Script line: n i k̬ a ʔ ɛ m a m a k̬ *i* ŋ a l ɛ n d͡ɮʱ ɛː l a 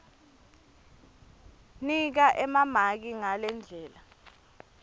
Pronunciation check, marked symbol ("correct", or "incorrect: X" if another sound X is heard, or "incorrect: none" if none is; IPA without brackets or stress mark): correct